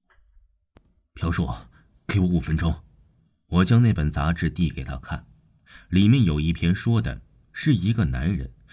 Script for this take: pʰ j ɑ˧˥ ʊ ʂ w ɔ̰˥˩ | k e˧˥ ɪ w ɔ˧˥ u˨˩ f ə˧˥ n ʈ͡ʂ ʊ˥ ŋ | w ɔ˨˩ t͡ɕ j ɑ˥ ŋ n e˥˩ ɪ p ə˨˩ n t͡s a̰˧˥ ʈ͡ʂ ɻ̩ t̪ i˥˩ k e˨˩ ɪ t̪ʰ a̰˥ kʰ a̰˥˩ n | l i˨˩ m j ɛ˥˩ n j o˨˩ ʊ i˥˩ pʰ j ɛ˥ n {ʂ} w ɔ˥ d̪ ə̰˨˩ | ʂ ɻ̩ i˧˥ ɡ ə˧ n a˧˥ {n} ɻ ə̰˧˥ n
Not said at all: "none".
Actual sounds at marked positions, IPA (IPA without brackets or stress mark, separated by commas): ʂ, n